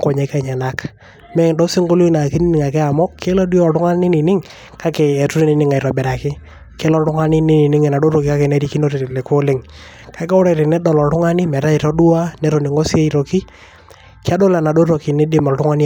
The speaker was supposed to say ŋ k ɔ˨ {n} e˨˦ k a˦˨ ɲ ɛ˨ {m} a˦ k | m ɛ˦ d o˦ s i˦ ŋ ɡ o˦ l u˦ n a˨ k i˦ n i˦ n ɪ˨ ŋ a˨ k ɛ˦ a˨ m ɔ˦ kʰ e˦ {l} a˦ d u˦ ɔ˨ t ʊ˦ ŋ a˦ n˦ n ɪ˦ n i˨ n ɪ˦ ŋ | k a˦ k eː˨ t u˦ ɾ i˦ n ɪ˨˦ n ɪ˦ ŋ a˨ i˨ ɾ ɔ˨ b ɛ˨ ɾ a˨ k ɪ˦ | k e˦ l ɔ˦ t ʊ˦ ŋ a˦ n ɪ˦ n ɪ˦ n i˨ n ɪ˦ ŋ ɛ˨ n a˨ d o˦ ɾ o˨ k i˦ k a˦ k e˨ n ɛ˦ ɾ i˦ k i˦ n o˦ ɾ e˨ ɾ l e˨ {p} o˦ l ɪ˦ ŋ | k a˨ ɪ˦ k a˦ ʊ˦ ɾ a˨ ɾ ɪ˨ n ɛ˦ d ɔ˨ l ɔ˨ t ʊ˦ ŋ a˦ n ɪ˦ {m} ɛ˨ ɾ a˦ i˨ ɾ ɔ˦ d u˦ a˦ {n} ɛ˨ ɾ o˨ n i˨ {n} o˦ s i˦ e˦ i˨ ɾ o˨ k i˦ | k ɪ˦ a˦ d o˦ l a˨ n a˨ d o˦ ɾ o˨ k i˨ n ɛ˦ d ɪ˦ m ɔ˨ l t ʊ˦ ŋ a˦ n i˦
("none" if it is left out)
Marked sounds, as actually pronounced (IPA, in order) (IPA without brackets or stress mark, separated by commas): ɲ, n, l, k, m, n, ŋ